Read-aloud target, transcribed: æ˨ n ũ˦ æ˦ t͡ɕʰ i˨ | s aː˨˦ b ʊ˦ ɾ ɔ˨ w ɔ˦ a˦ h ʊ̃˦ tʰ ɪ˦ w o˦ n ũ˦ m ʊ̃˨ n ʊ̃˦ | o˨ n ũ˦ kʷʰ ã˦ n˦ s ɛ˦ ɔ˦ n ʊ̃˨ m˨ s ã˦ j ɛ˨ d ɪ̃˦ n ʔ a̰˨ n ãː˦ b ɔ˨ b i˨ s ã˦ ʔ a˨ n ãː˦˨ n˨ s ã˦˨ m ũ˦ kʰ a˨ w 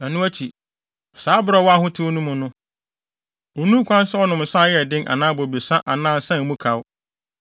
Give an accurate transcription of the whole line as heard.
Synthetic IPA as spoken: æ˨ n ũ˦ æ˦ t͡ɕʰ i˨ | s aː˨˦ b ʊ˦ ɾ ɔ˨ w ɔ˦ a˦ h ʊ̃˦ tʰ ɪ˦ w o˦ n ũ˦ m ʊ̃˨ n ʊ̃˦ | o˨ n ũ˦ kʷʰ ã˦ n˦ s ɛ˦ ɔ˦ n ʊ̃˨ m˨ s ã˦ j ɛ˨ d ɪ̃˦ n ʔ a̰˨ n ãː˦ b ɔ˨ b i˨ s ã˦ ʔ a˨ n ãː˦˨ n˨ s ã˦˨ m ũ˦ kʰ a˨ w

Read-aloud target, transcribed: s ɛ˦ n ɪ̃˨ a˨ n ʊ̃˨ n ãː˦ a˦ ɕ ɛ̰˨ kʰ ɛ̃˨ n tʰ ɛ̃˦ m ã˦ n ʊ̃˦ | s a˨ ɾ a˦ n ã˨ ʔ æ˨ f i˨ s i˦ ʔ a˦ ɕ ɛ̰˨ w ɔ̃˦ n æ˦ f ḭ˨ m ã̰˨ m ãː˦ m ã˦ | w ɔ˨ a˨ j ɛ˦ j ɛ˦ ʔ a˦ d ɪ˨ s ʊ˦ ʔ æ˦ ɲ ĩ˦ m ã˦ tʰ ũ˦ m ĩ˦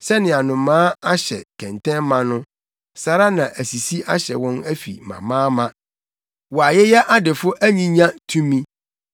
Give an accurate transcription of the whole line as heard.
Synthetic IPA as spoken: s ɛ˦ n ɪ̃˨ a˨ n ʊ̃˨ m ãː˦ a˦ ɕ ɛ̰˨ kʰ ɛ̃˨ n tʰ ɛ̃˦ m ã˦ n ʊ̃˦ | s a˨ ɾ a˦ n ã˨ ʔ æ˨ s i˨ s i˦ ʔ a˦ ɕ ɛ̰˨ w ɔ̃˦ n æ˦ f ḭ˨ m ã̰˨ m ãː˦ m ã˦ | w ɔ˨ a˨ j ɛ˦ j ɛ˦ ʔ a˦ d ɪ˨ f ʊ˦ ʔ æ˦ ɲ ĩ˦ ɲ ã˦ tʰ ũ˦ m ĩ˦

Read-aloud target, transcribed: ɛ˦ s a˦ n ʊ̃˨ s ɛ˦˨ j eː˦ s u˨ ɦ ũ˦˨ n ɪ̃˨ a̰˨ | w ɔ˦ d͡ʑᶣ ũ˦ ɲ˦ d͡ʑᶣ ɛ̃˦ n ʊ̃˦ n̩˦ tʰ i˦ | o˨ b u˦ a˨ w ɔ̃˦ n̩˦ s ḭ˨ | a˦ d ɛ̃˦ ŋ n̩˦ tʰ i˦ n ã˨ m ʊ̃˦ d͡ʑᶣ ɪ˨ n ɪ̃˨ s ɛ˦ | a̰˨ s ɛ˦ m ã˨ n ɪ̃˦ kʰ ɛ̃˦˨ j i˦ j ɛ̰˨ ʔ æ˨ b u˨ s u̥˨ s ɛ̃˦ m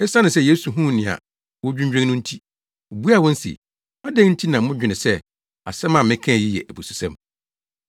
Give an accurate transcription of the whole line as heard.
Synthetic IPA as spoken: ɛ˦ s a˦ n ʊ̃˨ s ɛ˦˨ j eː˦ s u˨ ɦ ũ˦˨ n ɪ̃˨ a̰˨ | w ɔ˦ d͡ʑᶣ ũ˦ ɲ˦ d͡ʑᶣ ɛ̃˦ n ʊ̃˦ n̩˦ tʰ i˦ | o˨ b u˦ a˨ w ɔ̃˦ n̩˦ s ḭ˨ | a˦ d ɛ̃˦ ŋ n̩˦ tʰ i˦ n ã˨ m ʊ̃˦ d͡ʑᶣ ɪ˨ n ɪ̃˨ s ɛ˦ | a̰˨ s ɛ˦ m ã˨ m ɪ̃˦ kʰ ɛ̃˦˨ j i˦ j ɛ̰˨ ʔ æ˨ b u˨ s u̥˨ s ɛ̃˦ m

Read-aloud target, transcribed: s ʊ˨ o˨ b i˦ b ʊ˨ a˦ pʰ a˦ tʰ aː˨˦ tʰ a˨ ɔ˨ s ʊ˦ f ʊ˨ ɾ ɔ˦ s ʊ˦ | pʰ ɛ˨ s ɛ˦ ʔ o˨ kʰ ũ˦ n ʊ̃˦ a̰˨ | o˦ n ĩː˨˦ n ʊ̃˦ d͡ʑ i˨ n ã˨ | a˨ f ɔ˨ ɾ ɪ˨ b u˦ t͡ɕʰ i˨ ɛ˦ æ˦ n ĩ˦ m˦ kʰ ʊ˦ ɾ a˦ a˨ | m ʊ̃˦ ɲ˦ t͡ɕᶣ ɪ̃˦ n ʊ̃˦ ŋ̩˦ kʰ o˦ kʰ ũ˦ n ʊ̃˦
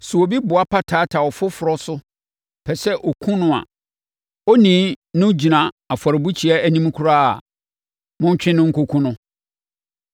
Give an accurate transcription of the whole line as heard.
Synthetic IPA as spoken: s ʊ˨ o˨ b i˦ b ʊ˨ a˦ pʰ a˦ tʰ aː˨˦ tʰ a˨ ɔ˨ f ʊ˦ f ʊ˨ ɾ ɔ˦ s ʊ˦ | pʰ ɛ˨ s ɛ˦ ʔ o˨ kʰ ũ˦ n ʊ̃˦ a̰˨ | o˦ n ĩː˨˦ n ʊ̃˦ d͡ʑ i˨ n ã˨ | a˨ f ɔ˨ ɾ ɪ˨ b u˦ t͡ɕʰ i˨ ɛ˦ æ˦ n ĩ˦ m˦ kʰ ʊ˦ ɾ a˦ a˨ | m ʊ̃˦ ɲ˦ t͡ɕᶣ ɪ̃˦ n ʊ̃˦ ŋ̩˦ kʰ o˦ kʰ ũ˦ n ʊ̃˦

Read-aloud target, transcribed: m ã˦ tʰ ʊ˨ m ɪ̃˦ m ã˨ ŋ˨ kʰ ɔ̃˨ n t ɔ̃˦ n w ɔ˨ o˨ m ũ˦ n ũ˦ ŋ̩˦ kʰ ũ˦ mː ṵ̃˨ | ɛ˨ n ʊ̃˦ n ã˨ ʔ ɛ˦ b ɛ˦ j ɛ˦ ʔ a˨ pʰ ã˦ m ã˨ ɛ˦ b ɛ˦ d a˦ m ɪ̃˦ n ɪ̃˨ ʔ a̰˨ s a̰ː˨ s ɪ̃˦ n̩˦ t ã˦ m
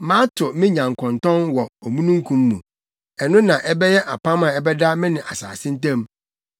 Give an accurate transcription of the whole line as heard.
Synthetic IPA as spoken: m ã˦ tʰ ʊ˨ m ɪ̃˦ ɲ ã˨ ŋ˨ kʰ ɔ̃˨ n t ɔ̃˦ n w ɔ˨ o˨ m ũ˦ n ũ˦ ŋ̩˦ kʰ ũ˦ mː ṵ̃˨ | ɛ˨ n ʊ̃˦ n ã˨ ʔ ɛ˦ b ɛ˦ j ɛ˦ ʔ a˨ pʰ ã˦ m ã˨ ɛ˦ b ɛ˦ d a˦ m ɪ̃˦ n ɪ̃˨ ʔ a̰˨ s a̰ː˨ s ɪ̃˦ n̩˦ t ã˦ m

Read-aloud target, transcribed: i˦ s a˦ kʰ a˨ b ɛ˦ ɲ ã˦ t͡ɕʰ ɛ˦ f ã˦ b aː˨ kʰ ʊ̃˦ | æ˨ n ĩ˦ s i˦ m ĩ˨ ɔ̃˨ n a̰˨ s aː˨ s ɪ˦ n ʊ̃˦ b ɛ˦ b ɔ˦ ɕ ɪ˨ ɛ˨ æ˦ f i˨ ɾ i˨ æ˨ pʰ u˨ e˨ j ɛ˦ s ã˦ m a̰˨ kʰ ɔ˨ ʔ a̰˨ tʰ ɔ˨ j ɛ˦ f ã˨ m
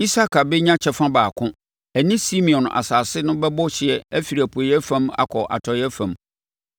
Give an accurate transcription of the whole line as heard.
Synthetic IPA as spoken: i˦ s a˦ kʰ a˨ b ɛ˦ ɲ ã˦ t͡ɕʰ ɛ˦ f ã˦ b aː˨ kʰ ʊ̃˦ | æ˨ n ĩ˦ s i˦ m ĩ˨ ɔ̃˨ n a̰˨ s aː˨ s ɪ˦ n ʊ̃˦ b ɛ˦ b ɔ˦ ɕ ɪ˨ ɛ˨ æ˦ f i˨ ɾ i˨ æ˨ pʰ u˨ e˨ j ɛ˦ f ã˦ m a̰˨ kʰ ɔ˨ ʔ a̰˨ tʰ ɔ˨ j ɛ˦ f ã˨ m

